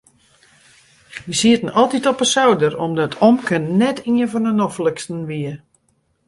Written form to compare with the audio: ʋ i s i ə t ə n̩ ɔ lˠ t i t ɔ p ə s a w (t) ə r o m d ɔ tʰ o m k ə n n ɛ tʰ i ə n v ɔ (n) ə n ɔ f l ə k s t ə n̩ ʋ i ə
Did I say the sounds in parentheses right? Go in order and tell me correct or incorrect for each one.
incorrect: d, correct

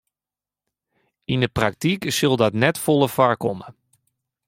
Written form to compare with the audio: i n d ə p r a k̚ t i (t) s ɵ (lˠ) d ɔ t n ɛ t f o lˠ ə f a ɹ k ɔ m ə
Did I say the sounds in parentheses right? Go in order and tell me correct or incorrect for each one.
incorrect: k, correct

